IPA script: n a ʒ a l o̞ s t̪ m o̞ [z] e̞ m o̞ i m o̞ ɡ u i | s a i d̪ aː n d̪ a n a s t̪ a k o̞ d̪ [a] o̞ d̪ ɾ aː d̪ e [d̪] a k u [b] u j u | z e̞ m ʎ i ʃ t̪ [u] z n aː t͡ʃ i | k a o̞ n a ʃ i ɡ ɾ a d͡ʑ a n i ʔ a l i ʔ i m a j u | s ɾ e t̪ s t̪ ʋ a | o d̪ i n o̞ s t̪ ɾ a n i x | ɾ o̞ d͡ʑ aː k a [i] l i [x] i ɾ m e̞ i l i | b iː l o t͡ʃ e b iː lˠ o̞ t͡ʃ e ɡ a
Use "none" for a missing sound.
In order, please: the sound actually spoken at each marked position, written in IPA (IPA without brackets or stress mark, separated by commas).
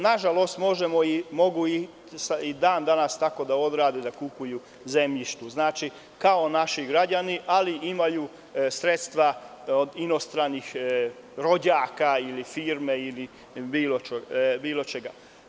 ʒ, a, d̪, p, u, i, f